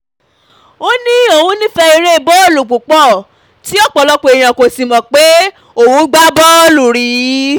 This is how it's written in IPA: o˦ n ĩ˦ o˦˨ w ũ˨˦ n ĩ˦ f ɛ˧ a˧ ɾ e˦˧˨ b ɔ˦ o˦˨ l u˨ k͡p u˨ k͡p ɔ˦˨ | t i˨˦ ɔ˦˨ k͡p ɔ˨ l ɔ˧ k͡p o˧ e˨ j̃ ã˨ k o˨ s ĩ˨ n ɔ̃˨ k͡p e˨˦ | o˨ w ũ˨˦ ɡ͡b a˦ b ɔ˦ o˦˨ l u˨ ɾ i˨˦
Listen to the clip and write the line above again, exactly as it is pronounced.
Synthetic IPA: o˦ n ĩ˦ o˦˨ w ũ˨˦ n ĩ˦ f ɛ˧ i˧ ɾ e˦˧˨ b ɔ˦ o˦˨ l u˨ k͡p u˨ k͡p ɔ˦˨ | t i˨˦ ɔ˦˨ k͡p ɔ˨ l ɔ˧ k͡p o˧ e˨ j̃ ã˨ k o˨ s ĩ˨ m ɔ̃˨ k͡p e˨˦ | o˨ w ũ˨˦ ɡ͡b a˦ b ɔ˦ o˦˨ l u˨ ɾ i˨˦